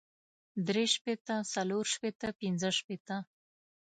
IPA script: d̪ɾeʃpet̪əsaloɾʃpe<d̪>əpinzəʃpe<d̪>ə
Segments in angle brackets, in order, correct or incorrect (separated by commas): incorrect, incorrect